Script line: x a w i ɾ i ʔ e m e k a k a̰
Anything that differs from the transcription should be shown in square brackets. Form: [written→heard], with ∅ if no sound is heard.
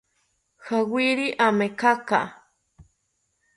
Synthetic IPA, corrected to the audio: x a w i ɾ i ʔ [e→a] m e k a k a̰